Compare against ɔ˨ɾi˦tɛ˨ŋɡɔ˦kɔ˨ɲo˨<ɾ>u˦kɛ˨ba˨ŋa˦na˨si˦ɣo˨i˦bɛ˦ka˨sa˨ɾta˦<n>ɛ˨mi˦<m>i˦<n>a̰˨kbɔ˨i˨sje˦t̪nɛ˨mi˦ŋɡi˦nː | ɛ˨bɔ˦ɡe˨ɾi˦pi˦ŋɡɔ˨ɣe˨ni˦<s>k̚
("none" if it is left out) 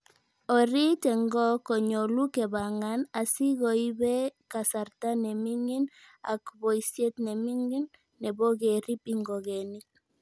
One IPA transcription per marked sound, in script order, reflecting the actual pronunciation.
l, n, ŋ, n, none

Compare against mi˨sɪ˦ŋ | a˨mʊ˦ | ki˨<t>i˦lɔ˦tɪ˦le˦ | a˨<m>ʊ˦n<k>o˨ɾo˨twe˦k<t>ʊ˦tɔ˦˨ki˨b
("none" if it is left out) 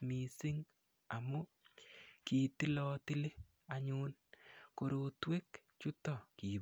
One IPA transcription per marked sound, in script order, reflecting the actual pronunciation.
t, ɲ, k, t͡ʃ

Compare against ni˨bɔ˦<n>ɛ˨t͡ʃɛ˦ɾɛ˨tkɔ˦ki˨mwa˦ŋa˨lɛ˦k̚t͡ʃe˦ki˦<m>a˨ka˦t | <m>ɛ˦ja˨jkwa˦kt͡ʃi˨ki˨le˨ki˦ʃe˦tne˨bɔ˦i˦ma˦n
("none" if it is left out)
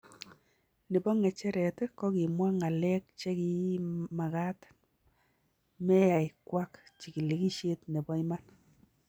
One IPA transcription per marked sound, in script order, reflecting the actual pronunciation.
ŋ, m, m

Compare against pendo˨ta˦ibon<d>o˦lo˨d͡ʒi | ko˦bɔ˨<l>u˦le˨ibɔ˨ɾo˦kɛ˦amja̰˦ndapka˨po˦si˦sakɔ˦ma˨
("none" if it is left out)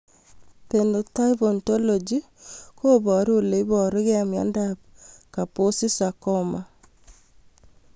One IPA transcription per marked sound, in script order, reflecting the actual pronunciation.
t, ɾ

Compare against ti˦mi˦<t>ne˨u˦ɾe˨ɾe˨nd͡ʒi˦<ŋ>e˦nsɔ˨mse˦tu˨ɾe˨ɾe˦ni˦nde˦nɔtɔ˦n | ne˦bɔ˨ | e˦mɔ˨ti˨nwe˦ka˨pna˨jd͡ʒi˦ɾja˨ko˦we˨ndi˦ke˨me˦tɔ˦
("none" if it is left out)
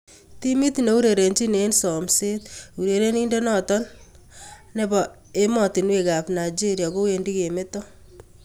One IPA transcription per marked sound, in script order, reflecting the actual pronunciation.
t, n

